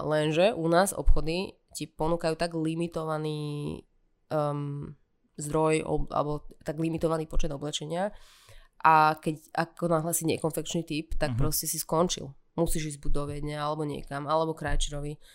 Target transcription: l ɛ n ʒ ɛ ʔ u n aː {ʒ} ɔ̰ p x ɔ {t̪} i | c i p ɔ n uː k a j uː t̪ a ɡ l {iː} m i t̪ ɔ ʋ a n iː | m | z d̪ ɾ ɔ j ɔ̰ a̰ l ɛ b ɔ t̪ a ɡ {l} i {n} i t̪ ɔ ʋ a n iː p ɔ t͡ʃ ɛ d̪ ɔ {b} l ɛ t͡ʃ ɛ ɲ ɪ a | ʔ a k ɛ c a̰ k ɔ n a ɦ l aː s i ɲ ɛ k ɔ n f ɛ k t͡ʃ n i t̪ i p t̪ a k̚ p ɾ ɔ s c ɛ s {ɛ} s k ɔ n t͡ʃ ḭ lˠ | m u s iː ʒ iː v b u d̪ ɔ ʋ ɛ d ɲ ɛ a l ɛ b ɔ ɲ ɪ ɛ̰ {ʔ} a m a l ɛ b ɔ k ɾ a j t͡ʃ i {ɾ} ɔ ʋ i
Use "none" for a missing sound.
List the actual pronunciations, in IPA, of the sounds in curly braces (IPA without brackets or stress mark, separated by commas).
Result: z, d̪, i, l, m, b, i, k, ɾ